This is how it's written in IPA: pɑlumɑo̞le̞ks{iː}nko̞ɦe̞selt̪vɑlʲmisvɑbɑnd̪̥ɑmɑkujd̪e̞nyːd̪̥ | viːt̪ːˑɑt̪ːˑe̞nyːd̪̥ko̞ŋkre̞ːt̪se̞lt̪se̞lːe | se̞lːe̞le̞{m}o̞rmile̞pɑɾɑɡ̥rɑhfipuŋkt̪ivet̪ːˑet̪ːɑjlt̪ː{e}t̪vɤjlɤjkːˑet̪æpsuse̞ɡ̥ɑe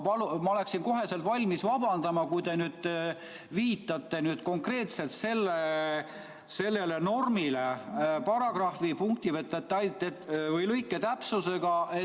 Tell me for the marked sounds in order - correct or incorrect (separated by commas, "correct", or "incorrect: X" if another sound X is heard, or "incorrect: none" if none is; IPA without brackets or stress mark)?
incorrect: i, incorrect: n, correct